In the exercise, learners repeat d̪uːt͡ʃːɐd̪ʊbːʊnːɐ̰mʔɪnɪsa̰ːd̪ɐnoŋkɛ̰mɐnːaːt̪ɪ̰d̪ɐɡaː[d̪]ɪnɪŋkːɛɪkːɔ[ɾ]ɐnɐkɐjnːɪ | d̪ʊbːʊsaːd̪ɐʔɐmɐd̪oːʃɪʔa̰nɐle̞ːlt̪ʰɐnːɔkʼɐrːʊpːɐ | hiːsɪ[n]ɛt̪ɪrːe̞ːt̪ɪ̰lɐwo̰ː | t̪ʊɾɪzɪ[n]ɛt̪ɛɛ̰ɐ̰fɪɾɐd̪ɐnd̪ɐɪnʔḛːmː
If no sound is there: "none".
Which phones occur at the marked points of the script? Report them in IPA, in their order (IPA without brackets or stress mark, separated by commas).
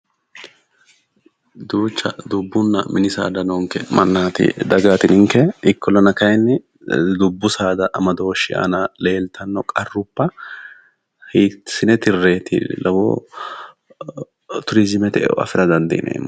t̪, l, n, m